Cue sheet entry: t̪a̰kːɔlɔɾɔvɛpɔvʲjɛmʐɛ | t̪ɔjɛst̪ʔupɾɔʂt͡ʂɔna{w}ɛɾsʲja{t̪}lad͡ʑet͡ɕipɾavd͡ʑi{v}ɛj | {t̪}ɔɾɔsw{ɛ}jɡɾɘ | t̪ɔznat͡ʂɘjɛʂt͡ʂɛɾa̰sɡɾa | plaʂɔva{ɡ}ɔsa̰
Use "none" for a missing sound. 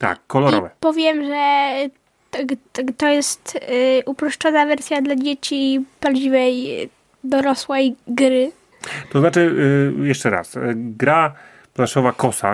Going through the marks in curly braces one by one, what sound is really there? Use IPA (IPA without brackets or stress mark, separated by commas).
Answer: v, d̪, v, d̪, ɛ, k